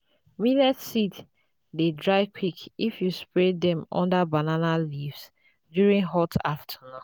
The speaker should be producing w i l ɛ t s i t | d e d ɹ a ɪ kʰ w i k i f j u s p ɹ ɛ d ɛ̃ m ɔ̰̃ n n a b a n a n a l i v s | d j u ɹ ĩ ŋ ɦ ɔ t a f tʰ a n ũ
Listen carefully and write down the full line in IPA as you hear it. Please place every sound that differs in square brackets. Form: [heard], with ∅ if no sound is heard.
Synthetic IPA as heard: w i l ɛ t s i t | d e d ɹ a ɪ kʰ w i k i f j u s p ɹ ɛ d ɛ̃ m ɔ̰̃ n [d] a b a n a n a l i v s | d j u ɹ ĩ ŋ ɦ ɔ t a f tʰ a n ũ